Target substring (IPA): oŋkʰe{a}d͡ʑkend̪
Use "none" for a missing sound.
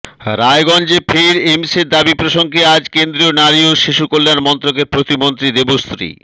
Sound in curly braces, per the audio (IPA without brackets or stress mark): a